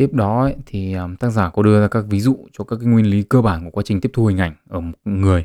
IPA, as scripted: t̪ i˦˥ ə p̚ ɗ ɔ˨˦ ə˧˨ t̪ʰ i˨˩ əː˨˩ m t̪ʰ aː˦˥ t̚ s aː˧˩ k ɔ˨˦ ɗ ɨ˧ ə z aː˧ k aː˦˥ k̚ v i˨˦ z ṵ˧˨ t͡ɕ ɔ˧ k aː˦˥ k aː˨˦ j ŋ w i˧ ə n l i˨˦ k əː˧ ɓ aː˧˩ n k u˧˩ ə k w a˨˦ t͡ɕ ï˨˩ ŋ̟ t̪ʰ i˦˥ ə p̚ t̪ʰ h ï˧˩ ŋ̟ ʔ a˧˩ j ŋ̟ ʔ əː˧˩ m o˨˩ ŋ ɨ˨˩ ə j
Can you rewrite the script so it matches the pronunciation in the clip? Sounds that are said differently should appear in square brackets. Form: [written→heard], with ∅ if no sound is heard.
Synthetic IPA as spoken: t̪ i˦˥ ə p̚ ɗ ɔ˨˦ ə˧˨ t̪ʰ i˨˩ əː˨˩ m [t̪ʰ→t̪] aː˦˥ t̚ [s→z] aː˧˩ k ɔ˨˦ ɗ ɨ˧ ə z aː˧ k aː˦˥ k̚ v i˨˦ z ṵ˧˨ t͡ɕ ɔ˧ k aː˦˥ k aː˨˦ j ŋ w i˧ ə n l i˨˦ k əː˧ ɓ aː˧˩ n k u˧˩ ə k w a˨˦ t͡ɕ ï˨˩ ŋ̟ [t̪ʰ→t̪] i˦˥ ə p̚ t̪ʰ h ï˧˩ ŋ̟ ʔ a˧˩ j ŋ̟ ʔ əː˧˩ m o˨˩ ŋ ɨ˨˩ ə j